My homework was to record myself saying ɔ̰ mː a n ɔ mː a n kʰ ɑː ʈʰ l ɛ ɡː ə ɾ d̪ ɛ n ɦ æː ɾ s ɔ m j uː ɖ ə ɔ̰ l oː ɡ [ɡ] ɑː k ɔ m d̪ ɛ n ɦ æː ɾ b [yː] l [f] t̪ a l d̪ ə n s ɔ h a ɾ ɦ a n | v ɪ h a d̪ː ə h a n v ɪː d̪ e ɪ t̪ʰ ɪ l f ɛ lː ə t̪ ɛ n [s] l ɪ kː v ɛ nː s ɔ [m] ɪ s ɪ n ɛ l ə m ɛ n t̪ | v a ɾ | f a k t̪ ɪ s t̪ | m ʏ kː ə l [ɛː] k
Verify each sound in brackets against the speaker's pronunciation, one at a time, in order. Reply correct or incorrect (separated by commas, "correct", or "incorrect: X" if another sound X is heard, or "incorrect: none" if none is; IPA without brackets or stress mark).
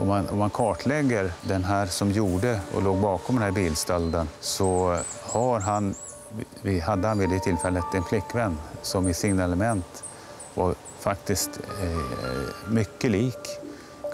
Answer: incorrect: b, incorrect: iː, incorrect: s, incorrect: f, correct, incorrect: iː